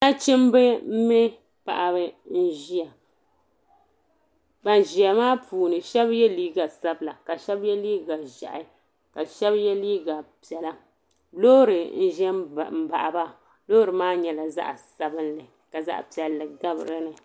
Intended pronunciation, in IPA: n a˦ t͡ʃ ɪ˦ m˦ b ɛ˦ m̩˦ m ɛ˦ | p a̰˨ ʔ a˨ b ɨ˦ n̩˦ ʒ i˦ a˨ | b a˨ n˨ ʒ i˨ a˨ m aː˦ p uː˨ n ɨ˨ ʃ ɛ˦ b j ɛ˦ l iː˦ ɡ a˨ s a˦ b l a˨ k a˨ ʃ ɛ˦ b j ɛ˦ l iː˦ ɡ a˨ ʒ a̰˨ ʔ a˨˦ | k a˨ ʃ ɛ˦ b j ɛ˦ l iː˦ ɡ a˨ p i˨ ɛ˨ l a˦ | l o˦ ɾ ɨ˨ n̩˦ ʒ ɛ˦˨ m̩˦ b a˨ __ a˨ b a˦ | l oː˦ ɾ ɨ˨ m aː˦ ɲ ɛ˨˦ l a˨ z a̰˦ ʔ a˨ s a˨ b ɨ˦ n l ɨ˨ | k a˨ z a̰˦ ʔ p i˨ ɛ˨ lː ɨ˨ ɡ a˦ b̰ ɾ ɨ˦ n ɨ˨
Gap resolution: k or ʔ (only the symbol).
ʔ